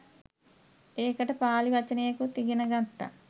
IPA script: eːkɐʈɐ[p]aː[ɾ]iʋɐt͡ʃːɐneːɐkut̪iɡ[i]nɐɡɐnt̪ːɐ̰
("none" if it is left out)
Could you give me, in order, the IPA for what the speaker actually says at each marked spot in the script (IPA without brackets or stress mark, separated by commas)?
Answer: p, l, i